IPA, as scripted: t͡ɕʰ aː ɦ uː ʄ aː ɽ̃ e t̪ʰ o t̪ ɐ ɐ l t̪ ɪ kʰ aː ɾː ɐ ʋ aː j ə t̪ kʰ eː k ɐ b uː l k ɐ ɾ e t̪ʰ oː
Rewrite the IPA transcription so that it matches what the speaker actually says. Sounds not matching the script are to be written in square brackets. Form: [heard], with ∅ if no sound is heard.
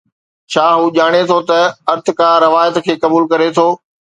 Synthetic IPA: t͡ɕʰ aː ɦ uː ʄ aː ɽ̃ e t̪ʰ o t̪ ɐ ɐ [ɾ] t̪ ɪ [k] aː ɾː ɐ ʋ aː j ə t̪ kʰ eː k ɐ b uː l k ɐ ɾ e t̪ʰ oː